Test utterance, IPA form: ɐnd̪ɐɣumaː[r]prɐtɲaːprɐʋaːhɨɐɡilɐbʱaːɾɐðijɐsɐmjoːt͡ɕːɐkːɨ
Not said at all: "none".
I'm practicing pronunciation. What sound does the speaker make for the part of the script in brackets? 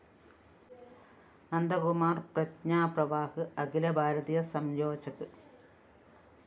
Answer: r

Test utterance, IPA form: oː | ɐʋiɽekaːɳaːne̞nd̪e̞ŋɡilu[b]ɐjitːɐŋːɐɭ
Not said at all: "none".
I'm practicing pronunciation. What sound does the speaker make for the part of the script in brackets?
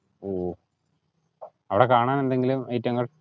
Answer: m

